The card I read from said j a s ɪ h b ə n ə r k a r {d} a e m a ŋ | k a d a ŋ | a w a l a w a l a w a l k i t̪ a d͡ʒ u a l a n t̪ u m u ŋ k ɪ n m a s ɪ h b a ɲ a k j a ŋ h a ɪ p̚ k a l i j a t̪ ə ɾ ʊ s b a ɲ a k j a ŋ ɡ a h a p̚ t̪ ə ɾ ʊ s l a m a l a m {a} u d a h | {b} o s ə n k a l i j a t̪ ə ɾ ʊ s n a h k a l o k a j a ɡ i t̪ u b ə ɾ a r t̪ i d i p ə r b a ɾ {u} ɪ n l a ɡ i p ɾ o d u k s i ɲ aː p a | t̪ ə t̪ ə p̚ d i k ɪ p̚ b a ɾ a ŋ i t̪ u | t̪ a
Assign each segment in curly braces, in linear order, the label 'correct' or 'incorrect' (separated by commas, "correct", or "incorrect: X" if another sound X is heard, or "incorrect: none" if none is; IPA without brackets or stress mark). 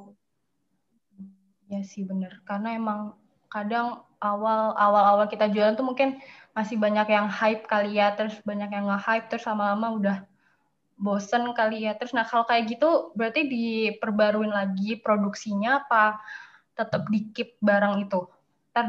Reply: incorrect: n, correct, correct, correct